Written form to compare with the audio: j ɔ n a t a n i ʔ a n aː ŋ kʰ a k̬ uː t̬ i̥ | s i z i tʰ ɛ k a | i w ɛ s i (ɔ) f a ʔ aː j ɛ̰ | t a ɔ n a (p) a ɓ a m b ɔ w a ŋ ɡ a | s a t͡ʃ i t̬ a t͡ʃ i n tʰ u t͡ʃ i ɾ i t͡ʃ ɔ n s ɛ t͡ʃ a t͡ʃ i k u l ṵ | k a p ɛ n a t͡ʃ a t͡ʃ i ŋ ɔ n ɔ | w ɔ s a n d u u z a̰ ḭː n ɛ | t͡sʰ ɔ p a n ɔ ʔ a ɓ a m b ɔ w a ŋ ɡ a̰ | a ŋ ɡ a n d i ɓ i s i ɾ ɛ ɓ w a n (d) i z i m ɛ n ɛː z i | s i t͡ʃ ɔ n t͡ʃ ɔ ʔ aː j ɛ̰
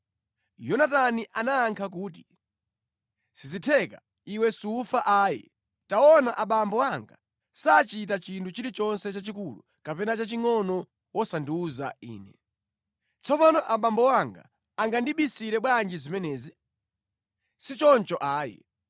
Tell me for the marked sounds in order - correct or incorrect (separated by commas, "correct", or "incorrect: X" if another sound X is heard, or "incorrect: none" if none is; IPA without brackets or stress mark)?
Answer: incorrect: u, incorrect: ʔ, incorrect: d͡ʒ